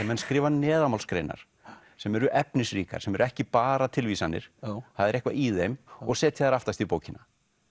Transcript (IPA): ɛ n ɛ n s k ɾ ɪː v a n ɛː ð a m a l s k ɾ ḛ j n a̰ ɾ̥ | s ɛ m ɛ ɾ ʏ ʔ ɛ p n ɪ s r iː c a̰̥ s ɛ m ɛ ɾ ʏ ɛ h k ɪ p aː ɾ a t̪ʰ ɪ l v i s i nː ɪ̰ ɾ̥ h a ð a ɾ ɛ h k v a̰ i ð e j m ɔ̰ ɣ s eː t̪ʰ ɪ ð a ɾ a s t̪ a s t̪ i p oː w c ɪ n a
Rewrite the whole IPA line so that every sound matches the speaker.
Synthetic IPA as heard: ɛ m ɛ n s k ɾ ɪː v a n ɛː ð a m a l s k ɾ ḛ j n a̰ ɾ̥ | s ɛ m ɛ ɾ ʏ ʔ ɛ p n ɪ s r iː k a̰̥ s ɛ m ɛ ɾ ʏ ɛ h c ɪ p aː ɾ a t̪ʰ ɪ l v i s a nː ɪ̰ ɾ̥ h a ð ɛ ɾ ɛ h k v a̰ i ð e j m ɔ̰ ɣ s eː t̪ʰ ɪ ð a ɾ a f t̪ a s t̪ i p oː w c ɪ n a